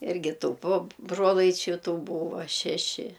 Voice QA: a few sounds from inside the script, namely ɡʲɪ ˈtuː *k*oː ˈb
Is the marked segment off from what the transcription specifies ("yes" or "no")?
yes